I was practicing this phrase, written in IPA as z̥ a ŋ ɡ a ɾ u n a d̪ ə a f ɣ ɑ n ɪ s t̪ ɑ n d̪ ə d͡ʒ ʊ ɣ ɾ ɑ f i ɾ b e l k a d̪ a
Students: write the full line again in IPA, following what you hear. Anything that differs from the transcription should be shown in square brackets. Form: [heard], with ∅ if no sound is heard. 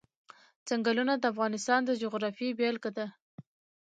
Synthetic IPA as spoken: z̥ a ŋ ɡ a [l] u n a d̪ ə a f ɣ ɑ n ɪ s t̪ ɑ n d̪ ə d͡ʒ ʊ ɣ ɾ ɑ f i [∅] b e l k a d̪ a